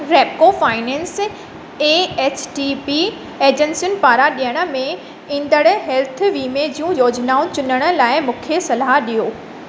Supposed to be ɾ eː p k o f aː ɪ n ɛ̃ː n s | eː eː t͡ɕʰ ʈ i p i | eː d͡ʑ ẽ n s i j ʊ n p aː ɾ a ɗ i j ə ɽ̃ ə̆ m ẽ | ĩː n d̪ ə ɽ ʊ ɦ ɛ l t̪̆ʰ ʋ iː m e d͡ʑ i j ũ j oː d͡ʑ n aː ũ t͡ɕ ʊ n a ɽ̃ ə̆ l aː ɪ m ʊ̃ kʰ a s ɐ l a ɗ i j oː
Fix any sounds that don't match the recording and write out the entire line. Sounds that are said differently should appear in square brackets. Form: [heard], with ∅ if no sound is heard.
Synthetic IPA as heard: ɾ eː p k o f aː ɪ n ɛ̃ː n s | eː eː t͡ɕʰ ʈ i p i | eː d͡ʑ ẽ n s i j ʊ n p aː ɾ a ɗ i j ə ɽ̃ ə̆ m ẽ | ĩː n d̪ ə ɽ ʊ ɦ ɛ l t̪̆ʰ ʋ iː m e d͡ʑ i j ũ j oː d͡ʑ n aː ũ t͡ɕ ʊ n [ə] ɽ̃ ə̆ l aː ɪ m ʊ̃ kʰ [e] s ɐ l a ɗ i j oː